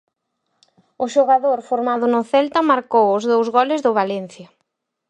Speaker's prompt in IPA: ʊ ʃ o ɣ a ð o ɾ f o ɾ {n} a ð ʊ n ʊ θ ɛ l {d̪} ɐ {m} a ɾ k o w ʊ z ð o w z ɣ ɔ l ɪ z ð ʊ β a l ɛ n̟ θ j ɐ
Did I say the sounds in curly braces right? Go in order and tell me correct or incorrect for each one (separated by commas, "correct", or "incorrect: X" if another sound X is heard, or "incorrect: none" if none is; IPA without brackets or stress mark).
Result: incorrect: m, incorrect: t̪, correct